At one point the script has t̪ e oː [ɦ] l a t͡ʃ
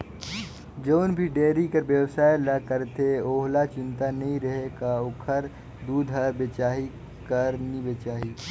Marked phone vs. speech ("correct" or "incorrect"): correct